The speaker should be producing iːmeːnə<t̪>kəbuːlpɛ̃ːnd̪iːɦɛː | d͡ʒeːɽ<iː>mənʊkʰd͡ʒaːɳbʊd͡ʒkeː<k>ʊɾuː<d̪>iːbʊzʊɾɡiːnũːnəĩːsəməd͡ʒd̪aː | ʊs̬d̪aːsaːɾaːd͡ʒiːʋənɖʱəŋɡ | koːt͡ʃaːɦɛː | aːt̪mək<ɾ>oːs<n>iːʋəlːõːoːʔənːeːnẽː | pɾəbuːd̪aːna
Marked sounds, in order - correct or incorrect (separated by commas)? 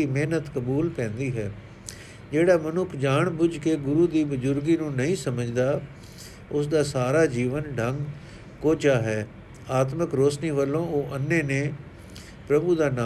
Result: correct, incorrect, incorrect, correct, correct, correct